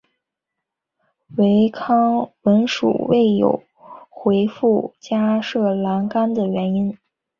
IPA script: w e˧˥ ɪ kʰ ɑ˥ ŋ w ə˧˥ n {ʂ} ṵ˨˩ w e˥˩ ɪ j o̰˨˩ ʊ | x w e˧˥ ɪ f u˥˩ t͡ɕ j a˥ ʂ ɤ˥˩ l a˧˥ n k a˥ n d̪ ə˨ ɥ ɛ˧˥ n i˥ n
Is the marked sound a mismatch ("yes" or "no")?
no